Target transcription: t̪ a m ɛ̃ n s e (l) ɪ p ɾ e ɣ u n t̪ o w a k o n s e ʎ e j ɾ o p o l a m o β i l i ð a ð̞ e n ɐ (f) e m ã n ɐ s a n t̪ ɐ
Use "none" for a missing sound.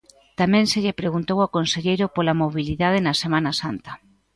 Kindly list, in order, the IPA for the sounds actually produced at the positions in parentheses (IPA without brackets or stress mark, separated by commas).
ʎ, s